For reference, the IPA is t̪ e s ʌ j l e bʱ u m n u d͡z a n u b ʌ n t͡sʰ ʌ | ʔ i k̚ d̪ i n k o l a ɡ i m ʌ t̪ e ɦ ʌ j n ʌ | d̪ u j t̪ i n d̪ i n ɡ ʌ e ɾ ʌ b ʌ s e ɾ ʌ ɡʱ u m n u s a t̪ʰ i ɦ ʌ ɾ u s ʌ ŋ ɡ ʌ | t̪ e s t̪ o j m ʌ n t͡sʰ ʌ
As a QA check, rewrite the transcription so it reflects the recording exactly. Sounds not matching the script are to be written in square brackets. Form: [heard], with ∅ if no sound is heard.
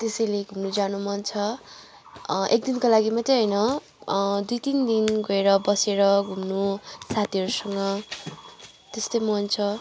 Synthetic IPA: t̪ e s ʌ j l e [ɡʱ] u m n u d͡z a n u [m] ʌ n t͡sʰ ʌ | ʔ [e] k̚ d̪ i n k o l a ɡ i m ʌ t̪ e ɦ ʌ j n ʌ | d̪ u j t̪ i n d̪ i n ɡ ʌ e ɾ ʌ b ʌ s e ɾ ʌ ɡʱ u m n u s a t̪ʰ i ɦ ʌ ɾ u s ʌ ŋ ɡ ʌ | t̪ e s t̪ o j m ʌ n t͡sʰ ʌ